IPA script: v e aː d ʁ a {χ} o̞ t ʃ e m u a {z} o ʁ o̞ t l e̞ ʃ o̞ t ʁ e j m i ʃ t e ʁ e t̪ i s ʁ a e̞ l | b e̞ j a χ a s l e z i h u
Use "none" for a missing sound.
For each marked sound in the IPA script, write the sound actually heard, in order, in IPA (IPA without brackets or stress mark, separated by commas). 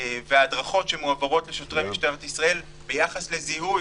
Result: χ, v